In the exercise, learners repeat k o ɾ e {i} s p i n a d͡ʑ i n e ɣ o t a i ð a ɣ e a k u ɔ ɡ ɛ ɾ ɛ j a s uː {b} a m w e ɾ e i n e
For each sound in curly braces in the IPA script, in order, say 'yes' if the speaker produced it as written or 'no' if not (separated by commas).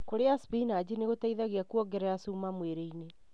no, no